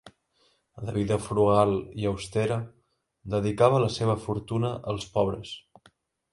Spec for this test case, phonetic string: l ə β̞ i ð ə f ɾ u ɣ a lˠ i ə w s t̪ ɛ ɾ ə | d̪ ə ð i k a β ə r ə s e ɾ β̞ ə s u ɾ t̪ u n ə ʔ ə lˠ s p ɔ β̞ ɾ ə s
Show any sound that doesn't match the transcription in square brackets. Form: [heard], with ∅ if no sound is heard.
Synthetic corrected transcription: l ə β̞ i ð ə f ɾ u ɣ a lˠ i ə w s t̪ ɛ ɾ ə | d̪ ə ð i k a β ə [l] ə s e [∅] β̞ ə [f] u ɾ t̪ u n ə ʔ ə lˠ s p ɔ β̞ ɾ ə s